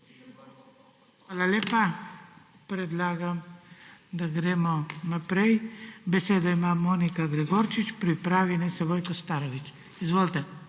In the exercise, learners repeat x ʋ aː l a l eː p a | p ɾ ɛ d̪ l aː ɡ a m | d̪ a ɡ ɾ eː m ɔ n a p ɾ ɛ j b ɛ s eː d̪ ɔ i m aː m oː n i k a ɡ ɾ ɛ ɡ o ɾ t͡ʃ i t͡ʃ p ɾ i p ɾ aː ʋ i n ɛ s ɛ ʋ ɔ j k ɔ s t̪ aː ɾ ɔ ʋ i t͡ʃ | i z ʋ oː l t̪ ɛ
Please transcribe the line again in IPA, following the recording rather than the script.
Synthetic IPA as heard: x ʋ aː l a l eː p a | p ɾ ɛ d̪ l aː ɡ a m | d̪ a ɡ ɾ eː m ɔ n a p ɾ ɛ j b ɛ s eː d̪ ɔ i m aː m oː n i k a ɡ ɾ ɛ ɡ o ɾ t͡ʃ i t͡ʃ p ɾ i p ɾ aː ʋ i n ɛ s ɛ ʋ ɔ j k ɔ s t̪ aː ɾ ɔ ʋ i t͡ʃ | i z ʋ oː l t̪ ɛ

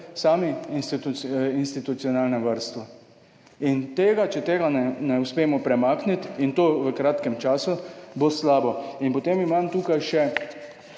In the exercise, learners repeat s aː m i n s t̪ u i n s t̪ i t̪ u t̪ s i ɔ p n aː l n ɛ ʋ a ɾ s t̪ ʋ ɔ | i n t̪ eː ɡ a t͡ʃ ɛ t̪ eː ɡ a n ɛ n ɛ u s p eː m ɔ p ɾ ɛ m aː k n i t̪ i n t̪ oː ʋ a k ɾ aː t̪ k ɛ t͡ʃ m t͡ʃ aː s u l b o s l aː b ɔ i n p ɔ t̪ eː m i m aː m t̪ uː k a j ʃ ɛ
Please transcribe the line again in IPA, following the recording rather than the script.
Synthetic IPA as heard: s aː m i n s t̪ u i n s t̪ i t̪ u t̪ s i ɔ n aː l n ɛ ʋ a ɾ s t̪ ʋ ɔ | i n t̪ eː ɡ a t͡ʃ ɛ t̪ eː ɡ a n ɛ n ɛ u s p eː m ɔ p ɾ ɛ m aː k n i t̪ i n t̪ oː ʋ ə k ɾ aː t̪ k ɛ m t͡ʃ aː s u b o s l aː b ɔ i n p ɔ t̪ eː m i m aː m t̪ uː k a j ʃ ɛ

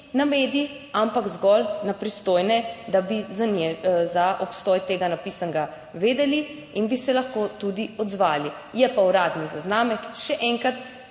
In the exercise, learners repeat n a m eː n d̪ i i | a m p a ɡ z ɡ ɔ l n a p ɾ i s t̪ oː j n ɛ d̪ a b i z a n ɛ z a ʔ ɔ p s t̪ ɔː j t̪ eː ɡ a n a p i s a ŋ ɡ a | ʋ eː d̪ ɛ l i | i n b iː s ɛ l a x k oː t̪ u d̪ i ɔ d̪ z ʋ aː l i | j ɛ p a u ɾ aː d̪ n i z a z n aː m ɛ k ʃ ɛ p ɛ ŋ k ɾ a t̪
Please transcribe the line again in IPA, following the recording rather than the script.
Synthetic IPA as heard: n a m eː d̪ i i | a m p a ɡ z ɡ ɔ l n a p ɾ i s t̪ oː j n ɛ d̪ a b i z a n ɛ z a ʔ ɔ p s t̪ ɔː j t̪ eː ɡ a n a p i s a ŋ ɡ a | ʋ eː d̪ ɛ l i | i n b i s ɛ l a x k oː t̪ u d̪ i ɔ d̪ z ʋ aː l i | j ɛ p a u ɾ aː d̪ n i z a z n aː m ɛ k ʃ ɛ ʔ ɛ ŋ k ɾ a t̪

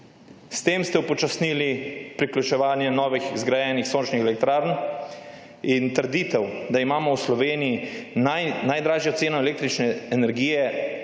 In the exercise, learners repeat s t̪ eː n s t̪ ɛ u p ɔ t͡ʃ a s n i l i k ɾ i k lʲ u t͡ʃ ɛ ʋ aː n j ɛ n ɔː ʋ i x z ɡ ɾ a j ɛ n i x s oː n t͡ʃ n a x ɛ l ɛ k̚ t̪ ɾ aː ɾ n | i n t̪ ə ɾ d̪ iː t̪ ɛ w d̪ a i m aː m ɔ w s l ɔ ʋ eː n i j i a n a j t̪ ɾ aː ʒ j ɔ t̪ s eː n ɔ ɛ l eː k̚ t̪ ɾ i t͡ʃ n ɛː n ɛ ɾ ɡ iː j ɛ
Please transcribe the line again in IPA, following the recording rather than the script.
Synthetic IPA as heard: s t̪ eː m s t̪ ɛ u p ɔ t͡ʃ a s n i l i p ɾ i k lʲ u t͡ʃ ɛ ʋ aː n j ɛ n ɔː ʋ i x z ɡ ɾ a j ɛ n i x s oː n t͡ʃ n i x ɛ l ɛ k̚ t̪ ɾ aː ɾ n | i n t̪ ə ɾ d̪ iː t̪ ɛ w d̪ a i m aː m ɔ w s l ɔ ʋ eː n i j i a n a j d̪ ɾ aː ʒ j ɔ t̪ s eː n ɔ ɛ l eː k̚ t̪ ɾ i t͡ʃ n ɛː n ɛ ɾ ɡ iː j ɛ

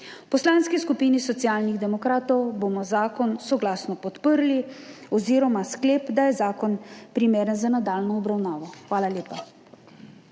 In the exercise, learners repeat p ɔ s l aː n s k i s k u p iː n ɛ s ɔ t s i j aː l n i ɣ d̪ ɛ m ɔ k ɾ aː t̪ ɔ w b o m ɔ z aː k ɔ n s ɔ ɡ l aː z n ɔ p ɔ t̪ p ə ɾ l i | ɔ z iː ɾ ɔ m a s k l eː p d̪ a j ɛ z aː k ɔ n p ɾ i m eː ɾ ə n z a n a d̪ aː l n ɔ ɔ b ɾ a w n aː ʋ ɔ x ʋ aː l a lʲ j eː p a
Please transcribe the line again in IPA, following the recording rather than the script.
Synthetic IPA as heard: p ɔ s l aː n s k i s k u p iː n i s ɔ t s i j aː l n i ɣ d̪ ɛ m ɔ k ɾ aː t̪ ɔ w b o m ɔ z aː k ɔ n s ɔ ɡ l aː s n ɔ p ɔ t̪ p ə ɾ l i | ɔ z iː ɾ ɔ m a s k l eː p d̪ a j ɛ z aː k ɔ n p ɾ i m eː ɾ ə n z a n a d̪ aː l n ɔ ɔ b ɾ a w n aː ʋ ɔ x ʋ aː l a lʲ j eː p a

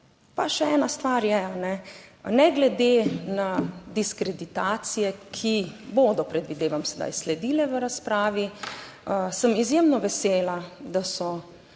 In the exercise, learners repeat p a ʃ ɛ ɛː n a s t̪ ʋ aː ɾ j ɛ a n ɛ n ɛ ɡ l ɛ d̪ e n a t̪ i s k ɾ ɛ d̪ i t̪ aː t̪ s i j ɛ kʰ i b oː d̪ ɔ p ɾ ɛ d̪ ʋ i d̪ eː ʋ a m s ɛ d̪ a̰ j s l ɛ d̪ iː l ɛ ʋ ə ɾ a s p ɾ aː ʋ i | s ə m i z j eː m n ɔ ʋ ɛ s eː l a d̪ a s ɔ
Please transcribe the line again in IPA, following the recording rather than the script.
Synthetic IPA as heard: p a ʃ ɛ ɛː n a s t̪ ʋ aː ɾ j ɛ a n ɛ n ɛ ɡ l ɛ d̪ e n a d̪ i s k ɾ ɛ d̪ i t̪ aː t̪ s i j ɛ kʰ i b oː d̪ ɔ p ɾ ɛ d̪ ʋ i d̪ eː ʋ a m s ɛ d̪ a̰ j s l ɛ d̪ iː l ɛ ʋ ə ɾ a s p ɾ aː ʋ i | s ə m i z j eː m n ɔ ʋ ɛ s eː l a d̪ a s ɔ

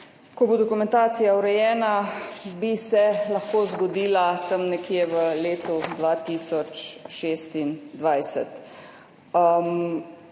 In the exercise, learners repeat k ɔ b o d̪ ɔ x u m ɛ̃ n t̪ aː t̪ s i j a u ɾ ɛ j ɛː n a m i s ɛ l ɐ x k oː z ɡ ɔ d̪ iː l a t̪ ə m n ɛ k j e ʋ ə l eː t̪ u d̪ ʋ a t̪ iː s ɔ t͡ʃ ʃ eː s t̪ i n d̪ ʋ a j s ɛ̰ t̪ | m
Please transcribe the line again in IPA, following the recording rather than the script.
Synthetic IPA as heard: k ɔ b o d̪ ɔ k u m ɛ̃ n t̪ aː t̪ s i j a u ɾ ɛ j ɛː n a b i s ɛ l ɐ x k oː z ɡ ɔ d̪ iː l a t̪ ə m n ɛ k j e ʋ ə l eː t̪ u d̪ ʋ a t̪ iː s ɔ t͡ʃ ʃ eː s t̪ i n d̪ ʋ a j s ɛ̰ t̪ | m

